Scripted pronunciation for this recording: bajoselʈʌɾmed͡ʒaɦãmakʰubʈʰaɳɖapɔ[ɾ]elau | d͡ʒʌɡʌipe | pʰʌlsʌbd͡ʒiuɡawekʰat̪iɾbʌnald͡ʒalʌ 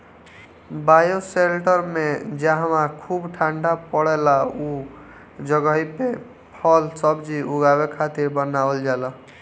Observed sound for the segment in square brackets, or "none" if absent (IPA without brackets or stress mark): ɽ